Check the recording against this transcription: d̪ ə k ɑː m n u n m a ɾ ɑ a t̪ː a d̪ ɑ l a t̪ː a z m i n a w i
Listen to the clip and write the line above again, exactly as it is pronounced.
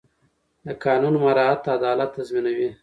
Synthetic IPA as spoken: d̪ ə k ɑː n u n m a ɾ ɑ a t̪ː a d̪ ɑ l a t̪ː a z m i n a w i